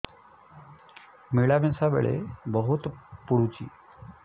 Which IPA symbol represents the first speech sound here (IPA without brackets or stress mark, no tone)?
m